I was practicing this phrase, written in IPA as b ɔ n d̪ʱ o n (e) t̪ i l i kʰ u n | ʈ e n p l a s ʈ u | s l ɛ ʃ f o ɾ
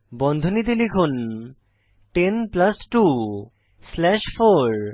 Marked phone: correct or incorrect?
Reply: incorrect